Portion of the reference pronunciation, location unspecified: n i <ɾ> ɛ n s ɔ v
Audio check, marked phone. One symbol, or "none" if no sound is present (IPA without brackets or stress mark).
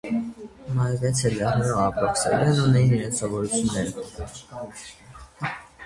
ɾ